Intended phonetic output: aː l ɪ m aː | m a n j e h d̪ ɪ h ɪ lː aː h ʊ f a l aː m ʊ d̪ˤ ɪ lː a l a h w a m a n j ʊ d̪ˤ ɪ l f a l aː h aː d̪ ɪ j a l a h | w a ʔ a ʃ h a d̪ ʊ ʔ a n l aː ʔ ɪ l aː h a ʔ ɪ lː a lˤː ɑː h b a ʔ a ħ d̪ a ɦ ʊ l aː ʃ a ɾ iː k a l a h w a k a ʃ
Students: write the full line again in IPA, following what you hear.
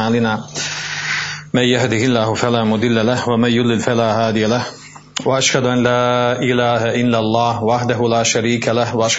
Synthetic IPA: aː l ɪ n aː | m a n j a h d̪ ɪ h ɪ lː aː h ʊ f a l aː m ʊ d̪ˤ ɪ lː a l a h w a m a n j ʊ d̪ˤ ɪ l f a l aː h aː d̪ ɪ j a l a h | w a ʔ a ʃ h a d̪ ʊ ʔ a n l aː ʔ ɪ l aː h a ʔ ɪ lː a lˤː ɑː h w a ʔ a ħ d̪ a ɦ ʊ l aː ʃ a ɾ iː k a l a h w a ʔ a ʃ